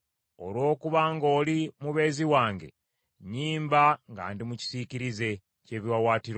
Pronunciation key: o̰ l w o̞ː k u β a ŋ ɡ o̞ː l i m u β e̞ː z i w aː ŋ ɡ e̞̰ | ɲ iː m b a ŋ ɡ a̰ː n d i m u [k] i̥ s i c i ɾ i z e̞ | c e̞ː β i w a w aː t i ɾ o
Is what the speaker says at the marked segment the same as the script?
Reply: no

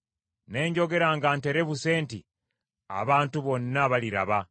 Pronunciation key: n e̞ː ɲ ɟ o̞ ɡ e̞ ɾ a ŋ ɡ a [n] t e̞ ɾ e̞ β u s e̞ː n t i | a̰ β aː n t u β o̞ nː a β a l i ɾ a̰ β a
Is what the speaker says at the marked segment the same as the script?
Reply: yes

